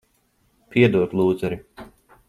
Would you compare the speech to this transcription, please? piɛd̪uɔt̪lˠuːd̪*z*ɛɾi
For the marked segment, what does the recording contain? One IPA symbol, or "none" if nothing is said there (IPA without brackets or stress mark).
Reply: z